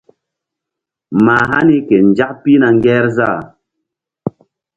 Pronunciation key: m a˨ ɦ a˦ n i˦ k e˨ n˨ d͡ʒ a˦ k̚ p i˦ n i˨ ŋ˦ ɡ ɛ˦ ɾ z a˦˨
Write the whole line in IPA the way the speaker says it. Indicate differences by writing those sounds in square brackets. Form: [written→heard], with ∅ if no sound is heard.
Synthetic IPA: m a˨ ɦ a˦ n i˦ k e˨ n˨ d͡ʒ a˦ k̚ p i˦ n [i˨→a˨] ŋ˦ ɡ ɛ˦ ɾ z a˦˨